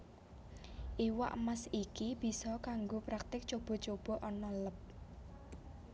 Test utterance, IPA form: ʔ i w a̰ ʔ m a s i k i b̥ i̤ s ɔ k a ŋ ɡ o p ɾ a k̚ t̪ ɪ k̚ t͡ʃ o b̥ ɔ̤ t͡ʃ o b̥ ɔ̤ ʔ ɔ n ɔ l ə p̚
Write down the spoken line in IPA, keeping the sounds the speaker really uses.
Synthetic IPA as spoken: ʔ i w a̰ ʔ m a s i k i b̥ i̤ s ɔ k a ŋ ɡ o p ɾ a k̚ t̪ ɪ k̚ t͡ʃ o b̥ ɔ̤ t͡ʃ o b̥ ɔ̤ ʔ ɔ n ɔ l ə p̚